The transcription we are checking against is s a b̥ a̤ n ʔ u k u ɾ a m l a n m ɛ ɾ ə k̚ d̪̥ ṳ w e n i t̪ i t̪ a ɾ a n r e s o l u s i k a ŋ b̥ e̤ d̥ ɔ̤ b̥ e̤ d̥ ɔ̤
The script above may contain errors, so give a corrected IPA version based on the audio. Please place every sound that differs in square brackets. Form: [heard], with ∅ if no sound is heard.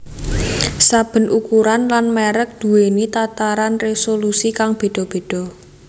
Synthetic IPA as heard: s a b̥ [ə̤] n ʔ u k u ɾ a [n] l a n m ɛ ɾ ə k̚ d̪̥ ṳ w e n i t̪ [a] t̪ a ɾ a n r e s o l u s i k a ŋ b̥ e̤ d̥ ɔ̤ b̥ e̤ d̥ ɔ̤